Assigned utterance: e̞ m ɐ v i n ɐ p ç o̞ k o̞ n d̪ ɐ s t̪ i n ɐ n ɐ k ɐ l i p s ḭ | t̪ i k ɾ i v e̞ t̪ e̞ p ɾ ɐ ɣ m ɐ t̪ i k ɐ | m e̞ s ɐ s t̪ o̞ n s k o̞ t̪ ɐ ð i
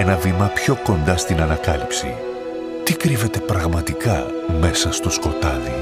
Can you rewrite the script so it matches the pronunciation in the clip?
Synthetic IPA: e̞ n ɐ v i m ɐ p ç o̞ k o̞ n d̪ ɐ s t̪ i n ɐ n ɐ k ɐ l i p s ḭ | t̪ i k ɾ i v e̞ t̪ e̞ p ɾ ɐ ɣ m ɐ t̪ i k ɐ | m e̞ s ɐ s t̪ o̞ s k o̞ t̪ ɐ ð i